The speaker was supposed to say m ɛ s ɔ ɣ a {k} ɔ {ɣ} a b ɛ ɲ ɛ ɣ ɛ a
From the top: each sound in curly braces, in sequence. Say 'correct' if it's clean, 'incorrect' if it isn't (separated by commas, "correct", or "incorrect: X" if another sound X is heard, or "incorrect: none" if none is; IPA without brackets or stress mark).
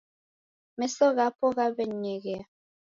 incorrect: p, correct